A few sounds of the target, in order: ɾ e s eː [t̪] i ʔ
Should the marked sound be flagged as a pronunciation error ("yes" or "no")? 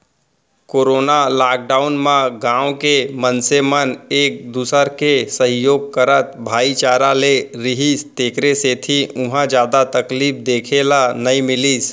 yes